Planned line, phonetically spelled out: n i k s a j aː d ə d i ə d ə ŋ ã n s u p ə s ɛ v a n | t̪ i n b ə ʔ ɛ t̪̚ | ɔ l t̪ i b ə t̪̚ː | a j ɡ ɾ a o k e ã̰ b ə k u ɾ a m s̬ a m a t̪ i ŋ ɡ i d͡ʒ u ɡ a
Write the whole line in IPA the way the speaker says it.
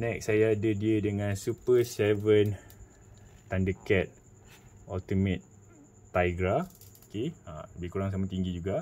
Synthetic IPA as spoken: n ɛ k s a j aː d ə d i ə d ə ŋ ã n s u p ə s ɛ v ə n | t̪ a n d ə k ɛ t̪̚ | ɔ l t̪ i m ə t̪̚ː | a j ɡ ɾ a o k e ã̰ b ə k u ɾ a ŋ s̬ a m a t̪ i ŋ ɡ i d͡ʒ u ɡ a